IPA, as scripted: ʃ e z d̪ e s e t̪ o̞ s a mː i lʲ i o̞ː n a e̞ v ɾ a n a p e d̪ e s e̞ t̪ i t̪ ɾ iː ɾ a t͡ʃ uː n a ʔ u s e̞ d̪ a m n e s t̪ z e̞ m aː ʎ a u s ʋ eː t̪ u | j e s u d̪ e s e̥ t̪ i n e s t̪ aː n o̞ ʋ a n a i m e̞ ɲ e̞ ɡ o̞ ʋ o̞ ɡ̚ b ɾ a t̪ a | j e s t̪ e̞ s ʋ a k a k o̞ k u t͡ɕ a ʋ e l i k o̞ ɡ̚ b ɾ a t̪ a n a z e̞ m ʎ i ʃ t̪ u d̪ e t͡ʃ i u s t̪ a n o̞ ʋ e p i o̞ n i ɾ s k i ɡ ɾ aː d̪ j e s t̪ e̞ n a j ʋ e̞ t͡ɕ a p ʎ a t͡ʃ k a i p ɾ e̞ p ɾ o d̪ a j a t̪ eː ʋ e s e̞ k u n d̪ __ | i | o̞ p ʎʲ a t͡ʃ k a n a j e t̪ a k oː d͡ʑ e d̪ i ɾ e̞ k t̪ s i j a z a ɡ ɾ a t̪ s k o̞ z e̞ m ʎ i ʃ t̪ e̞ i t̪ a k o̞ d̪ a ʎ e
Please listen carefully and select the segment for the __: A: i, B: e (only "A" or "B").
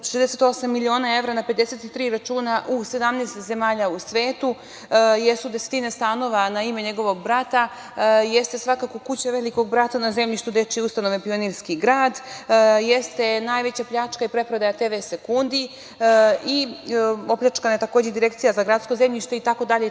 A